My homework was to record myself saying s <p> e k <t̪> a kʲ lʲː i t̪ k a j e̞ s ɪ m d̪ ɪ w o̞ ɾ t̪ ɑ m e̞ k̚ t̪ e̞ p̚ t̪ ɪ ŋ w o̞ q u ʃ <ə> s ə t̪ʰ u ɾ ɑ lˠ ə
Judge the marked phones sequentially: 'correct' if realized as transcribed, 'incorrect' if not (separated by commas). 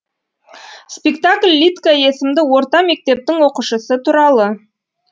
correct, correct, correct